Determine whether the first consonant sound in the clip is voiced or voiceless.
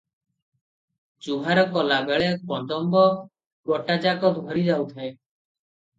voiced